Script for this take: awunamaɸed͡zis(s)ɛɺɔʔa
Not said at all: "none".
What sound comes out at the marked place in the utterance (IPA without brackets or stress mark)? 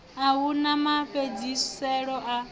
s